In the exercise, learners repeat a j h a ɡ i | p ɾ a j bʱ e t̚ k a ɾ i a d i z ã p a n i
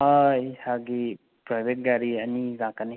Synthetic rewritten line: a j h a ɡ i | p ɾ a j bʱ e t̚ ɡ a ɾ i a n i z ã k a n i